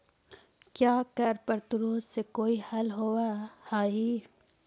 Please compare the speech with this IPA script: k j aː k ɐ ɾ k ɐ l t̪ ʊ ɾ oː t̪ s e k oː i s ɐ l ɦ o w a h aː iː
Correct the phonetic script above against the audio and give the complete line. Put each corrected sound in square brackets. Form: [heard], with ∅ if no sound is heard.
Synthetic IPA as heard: k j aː k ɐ ɾ [p] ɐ [ɾ] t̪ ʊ ɾ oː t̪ s e k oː i [h] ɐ l ɦ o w a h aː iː